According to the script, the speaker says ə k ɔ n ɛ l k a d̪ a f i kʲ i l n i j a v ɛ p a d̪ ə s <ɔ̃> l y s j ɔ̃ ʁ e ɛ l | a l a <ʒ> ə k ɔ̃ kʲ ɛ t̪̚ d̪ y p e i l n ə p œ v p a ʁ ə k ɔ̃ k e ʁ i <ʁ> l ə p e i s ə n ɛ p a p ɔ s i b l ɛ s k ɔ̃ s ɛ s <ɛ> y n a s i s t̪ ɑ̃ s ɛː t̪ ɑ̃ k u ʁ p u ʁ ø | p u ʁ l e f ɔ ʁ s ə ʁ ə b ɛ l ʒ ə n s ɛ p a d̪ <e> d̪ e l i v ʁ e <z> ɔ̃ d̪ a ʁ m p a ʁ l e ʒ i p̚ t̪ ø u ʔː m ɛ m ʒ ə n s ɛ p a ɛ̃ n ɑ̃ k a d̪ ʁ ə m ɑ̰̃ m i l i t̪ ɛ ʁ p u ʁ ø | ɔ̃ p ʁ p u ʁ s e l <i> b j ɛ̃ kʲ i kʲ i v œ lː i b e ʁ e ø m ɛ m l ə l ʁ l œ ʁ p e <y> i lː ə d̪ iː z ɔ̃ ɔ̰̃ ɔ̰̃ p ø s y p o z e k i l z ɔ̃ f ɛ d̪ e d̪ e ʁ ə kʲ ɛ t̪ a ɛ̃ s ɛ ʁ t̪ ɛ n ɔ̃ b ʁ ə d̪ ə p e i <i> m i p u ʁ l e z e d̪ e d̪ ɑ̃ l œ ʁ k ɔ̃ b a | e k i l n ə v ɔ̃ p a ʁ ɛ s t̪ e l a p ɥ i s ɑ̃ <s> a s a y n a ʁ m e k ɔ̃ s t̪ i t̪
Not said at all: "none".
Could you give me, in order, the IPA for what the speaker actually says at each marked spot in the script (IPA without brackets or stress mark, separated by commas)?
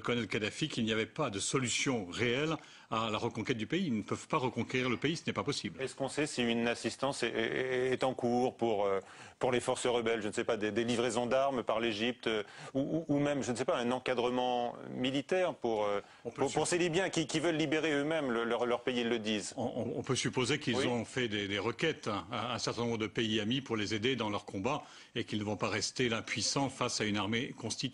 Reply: ɔ, ʁ, ʁ, i, e, z, i, i, a, f